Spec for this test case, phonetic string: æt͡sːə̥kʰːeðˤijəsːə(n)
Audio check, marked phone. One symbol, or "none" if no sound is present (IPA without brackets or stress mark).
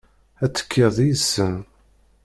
n